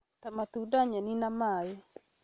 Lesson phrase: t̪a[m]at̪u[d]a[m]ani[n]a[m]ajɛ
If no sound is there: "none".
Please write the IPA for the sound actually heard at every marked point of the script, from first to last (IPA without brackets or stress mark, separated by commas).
m, d, ɲ, n, m